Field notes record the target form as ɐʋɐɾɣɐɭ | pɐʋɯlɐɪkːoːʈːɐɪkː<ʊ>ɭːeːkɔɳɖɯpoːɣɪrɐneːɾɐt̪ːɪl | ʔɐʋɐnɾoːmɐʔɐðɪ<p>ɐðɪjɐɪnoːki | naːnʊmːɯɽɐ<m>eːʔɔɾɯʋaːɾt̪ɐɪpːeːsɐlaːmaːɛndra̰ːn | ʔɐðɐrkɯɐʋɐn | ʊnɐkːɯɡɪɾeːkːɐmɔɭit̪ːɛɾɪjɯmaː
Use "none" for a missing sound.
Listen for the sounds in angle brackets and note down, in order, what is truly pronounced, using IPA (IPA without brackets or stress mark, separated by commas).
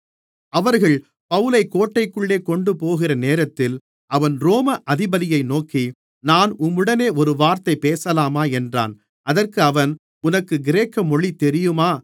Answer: ɯ, b, n